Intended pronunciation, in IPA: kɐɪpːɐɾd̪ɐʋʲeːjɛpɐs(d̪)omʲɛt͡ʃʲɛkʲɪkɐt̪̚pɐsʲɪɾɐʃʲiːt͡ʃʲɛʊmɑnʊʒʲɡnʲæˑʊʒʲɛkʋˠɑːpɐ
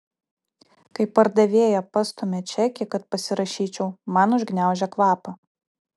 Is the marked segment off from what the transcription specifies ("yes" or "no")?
yes